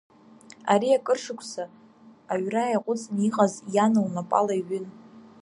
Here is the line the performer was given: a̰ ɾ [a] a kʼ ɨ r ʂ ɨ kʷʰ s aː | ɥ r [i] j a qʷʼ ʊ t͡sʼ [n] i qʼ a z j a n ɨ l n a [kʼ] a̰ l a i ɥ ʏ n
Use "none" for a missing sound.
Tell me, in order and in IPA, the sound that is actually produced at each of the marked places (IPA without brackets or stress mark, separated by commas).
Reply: i, a, n, pʼ